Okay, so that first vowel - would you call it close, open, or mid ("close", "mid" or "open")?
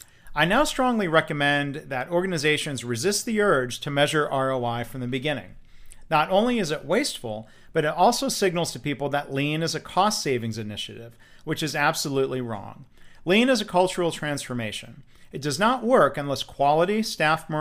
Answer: open